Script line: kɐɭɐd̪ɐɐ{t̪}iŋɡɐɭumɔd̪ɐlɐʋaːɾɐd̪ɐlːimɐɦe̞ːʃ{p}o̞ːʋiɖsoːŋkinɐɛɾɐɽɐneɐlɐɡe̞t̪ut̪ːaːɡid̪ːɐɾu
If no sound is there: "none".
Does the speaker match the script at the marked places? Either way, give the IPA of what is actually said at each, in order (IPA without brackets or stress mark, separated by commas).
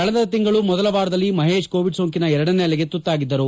t̪, k